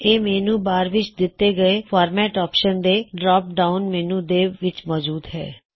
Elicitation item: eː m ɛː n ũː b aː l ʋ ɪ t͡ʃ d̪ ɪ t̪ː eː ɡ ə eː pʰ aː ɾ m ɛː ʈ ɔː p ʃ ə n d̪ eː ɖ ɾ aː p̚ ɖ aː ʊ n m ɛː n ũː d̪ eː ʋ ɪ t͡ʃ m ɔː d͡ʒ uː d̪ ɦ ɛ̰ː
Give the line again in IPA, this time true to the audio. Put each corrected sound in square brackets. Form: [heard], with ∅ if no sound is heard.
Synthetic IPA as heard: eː m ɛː n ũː b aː [ɾ] ʋ ɪ t͡ʃ d̪ ɪ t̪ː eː ɡ ə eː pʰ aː ɾ m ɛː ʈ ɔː p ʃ ə n d̪ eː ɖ ɾ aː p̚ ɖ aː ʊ n m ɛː n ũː d̪ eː ʋ ɪ t͡ʃ m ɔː d͡ʒ uː d̪ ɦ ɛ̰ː